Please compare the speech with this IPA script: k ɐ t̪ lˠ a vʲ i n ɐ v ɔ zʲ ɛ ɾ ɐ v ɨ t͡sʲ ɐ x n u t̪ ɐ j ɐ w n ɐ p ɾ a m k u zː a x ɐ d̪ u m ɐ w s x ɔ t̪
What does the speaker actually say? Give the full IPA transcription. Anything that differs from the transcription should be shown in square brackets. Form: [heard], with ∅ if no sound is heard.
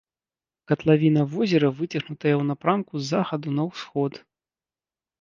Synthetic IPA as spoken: k ɐ t̪ lˠ a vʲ i n ɐ v ɔ zʲ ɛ ɾ ɐ v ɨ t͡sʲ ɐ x n u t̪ ɐ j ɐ w n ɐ p ɾ a m k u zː a x ɐ d̪ u [n] ɐ w s x ɔ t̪